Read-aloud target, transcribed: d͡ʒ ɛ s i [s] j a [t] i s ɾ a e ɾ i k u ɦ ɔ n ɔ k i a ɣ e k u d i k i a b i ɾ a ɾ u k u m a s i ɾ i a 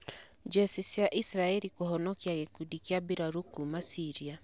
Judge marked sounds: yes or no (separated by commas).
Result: yes, no